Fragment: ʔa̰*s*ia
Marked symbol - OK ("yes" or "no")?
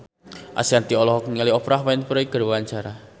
yes